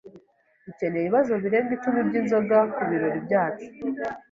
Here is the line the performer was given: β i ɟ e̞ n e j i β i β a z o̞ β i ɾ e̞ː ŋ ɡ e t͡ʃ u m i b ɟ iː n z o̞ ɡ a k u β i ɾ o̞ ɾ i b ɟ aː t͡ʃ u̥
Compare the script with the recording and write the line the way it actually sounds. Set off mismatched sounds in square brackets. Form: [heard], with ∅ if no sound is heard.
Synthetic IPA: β i [c] e̞ n e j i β i β a z o̞ β i ɾ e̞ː ŋ ɡ [i] t͡ʃ u m i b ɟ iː n z o̞ ɡ a k u β i ɾ o̞ ɾ i b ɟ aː t͡ʃ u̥